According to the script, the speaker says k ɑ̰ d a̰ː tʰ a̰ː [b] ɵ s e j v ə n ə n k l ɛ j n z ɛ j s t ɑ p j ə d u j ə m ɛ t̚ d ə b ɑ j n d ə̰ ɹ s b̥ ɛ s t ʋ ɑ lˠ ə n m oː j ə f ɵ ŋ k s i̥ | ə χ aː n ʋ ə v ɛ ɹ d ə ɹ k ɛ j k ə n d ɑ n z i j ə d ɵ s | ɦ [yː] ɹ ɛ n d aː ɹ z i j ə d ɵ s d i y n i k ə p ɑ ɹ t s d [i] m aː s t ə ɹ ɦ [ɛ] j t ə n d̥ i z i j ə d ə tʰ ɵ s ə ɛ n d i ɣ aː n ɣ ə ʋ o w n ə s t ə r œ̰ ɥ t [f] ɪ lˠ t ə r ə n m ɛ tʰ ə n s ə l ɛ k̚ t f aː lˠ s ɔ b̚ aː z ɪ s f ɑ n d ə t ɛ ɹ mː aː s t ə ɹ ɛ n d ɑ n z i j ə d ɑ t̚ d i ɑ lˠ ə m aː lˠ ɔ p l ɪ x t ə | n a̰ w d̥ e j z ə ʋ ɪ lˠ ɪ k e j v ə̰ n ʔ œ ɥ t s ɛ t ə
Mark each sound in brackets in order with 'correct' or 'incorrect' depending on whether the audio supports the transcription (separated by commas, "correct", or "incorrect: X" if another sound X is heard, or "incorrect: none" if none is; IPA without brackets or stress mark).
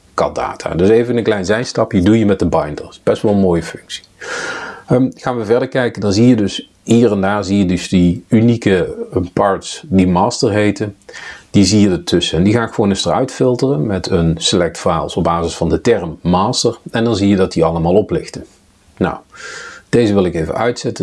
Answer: incorrect: d, incorrect: iː, correct, incorrect: e, correct